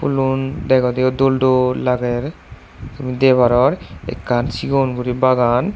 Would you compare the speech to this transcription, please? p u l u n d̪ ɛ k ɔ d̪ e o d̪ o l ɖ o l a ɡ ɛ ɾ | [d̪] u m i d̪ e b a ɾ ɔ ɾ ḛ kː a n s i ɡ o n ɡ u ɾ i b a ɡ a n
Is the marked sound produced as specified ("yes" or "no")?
no